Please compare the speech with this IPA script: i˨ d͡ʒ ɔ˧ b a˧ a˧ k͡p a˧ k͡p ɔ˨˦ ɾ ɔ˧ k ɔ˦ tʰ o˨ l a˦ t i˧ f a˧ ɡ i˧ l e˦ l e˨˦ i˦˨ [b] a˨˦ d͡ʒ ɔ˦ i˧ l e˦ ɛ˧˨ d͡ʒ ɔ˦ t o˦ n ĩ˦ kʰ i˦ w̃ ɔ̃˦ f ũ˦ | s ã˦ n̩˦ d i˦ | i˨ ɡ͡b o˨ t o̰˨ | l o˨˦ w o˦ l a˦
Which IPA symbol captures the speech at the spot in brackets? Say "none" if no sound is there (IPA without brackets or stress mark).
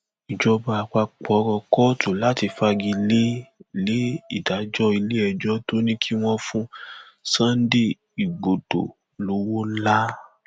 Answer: d